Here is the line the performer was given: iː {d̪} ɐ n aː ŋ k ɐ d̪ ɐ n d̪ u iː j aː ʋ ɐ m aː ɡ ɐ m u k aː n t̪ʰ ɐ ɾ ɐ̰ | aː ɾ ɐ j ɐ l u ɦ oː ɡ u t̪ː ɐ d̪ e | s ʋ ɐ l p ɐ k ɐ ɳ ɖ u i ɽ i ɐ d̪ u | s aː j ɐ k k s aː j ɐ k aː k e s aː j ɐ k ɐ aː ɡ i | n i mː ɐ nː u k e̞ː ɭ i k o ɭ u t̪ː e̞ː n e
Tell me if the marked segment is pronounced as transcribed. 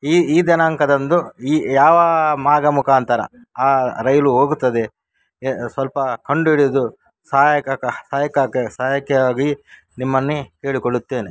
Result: yes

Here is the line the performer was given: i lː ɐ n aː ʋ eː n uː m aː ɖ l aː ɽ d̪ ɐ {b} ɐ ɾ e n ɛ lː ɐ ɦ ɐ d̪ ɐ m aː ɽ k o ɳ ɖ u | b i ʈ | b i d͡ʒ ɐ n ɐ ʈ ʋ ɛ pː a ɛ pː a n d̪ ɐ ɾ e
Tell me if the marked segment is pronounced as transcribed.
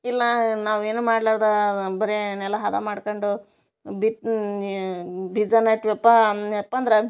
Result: yes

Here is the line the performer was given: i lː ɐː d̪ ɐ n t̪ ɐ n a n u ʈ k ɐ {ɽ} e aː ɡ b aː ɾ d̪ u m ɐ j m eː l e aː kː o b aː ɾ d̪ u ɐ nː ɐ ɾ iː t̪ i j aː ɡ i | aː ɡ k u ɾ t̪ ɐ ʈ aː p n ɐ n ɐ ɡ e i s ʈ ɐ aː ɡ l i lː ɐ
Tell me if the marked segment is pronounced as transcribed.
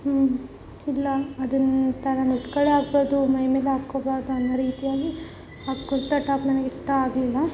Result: no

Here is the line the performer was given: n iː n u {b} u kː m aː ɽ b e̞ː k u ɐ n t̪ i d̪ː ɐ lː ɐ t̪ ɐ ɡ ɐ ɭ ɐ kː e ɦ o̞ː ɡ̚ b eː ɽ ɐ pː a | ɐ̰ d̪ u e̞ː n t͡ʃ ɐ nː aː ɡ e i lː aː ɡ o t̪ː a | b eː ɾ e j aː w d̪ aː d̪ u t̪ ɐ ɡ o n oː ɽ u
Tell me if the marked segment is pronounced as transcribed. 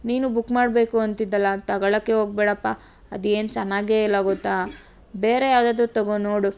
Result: yes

